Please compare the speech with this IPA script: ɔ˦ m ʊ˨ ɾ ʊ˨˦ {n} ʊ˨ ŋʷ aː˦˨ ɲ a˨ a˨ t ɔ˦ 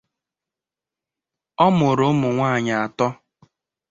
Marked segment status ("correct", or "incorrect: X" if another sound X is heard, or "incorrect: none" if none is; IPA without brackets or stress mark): incorrect: m